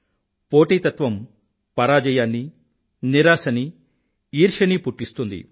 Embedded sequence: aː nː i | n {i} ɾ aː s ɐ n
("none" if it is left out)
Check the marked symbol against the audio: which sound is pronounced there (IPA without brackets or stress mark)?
i